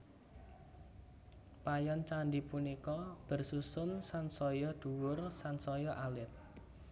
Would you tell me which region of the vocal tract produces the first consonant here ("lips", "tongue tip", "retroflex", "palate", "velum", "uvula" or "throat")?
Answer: lips